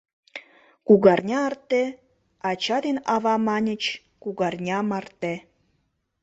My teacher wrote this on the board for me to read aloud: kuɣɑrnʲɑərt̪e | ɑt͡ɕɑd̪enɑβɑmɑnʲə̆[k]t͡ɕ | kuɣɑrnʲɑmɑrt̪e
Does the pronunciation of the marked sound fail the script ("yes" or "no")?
yes